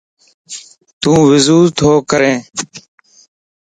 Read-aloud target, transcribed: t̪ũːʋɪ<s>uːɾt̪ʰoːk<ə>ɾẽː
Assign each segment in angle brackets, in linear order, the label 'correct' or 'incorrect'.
incorrect, correct

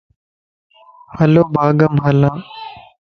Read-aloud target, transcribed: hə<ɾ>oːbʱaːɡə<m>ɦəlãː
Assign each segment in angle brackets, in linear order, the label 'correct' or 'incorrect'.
incorrect, correct

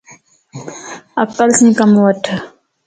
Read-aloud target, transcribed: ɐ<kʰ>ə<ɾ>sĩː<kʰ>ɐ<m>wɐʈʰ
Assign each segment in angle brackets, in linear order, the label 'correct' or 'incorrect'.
incorrect, incorrect, incorrect, correct

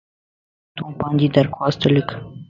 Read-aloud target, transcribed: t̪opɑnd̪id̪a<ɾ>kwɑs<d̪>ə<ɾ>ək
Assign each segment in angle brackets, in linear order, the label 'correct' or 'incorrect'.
correct, incorrect, incorrect

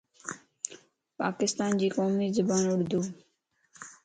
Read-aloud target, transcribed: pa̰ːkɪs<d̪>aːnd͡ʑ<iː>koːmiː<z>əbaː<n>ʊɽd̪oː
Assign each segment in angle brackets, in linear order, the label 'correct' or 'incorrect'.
incorrect, correct, correct, correct

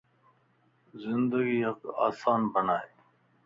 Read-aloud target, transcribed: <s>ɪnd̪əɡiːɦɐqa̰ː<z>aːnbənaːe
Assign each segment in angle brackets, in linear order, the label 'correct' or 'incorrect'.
incorrect, incorrect

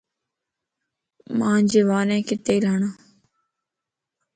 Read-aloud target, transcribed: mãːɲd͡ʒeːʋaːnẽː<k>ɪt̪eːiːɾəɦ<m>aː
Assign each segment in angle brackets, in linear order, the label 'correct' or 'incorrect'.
correct, incorrect

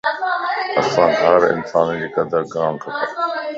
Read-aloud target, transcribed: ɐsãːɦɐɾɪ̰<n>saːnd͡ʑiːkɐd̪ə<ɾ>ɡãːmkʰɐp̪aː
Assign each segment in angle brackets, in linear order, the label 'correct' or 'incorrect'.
correct, correct

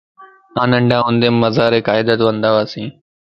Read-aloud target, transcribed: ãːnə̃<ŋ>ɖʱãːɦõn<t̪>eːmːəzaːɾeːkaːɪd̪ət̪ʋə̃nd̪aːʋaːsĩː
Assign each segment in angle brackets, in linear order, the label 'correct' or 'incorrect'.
incorrect, incorrect

